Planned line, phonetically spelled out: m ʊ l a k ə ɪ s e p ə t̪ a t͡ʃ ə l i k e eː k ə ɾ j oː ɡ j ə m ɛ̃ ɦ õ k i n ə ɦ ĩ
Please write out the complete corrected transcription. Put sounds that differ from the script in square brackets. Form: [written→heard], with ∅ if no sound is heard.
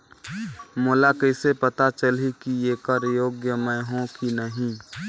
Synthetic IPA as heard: m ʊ l a k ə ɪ s e p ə t̪ a t͡ʃ ə l i k [e→i] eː k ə ɾ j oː ɡ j ə m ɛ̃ ɦ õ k i n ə ɦ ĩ